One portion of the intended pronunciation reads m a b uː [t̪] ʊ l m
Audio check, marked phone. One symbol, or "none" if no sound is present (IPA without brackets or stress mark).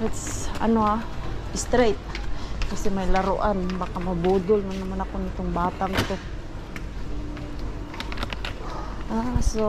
d̪